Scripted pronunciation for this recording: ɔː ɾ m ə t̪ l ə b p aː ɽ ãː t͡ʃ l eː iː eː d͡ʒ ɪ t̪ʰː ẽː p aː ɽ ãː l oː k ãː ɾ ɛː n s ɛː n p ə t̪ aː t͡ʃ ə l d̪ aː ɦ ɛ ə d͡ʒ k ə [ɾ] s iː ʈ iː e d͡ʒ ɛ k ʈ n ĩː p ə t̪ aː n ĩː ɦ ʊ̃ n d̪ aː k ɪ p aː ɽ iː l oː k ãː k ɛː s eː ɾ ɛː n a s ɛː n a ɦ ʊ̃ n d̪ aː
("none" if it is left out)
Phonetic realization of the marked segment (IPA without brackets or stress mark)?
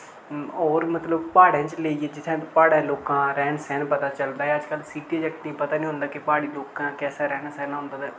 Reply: l